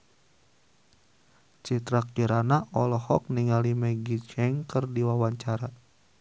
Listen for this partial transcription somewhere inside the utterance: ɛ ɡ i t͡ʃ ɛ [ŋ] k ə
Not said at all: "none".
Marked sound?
ŋ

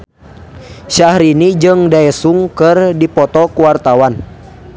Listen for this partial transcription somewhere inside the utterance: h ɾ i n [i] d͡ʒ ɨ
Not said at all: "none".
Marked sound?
i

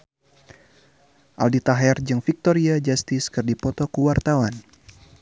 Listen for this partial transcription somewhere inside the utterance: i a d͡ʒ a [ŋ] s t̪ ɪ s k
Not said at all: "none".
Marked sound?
none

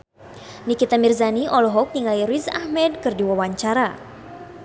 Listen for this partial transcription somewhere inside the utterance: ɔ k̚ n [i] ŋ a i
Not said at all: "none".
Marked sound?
i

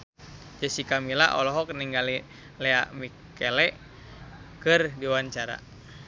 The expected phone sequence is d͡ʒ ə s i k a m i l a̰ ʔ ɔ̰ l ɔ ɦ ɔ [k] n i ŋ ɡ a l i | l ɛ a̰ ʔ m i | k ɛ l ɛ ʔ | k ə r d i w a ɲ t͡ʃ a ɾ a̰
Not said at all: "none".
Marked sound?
k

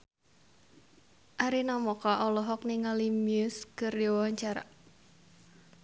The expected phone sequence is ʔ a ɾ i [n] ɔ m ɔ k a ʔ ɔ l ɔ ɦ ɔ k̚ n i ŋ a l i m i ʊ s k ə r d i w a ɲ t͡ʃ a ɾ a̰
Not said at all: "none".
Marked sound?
n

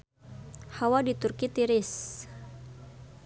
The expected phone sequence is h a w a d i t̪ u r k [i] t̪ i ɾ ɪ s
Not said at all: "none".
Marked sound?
i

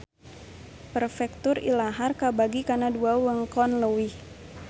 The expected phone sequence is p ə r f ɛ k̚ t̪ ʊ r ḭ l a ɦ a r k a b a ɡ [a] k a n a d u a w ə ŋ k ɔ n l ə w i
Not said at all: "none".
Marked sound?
i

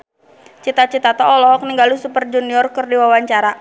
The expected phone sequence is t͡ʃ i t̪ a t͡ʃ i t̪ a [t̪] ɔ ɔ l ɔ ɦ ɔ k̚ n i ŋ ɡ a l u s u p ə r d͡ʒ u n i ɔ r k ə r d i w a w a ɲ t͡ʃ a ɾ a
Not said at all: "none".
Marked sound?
t̪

